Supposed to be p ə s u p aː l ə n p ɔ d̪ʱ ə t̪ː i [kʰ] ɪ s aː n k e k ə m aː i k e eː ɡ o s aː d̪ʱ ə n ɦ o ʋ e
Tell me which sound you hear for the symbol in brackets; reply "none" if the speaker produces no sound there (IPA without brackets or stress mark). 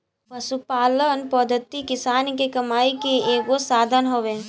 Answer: k